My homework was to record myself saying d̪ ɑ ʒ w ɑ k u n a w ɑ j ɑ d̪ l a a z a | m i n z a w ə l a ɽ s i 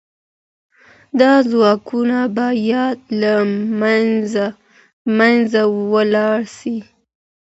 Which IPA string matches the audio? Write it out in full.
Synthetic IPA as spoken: d̪ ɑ z w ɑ k u n a b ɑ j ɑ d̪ l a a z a | m a n z a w ə l ɑ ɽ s i